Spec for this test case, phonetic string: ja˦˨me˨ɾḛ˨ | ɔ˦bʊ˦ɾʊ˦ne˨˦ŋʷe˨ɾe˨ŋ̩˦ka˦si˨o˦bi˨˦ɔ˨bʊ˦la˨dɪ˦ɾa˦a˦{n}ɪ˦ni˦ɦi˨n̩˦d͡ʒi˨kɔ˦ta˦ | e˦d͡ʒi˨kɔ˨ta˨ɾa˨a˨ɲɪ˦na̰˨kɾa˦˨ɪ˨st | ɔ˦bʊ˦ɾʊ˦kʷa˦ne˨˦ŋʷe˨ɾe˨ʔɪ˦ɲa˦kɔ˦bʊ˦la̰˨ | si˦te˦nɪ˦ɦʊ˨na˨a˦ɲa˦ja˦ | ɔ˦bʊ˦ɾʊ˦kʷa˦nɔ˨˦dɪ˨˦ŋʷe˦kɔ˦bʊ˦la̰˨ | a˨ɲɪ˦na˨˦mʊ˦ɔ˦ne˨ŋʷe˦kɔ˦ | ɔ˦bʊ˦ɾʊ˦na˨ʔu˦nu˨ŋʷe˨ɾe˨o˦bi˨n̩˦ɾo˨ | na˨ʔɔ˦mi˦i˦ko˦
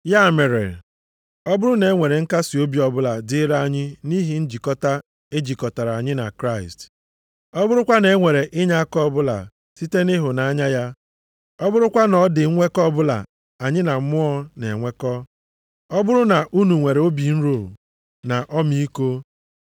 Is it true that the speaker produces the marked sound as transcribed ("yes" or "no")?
no